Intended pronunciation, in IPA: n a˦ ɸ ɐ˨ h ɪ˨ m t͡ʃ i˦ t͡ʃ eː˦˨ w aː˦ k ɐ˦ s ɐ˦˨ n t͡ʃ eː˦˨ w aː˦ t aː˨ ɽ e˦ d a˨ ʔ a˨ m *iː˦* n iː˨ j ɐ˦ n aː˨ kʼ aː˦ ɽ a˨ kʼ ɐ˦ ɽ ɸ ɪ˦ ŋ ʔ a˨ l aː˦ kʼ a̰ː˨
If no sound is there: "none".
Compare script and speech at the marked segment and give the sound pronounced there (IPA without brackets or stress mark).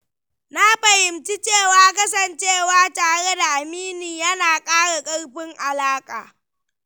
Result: iː˦